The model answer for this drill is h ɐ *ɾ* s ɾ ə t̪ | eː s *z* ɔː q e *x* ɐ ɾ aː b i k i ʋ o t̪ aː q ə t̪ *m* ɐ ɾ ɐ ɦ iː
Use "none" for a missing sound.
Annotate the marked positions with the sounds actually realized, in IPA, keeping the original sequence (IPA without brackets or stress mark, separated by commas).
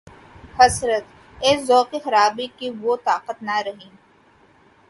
none, z, x, n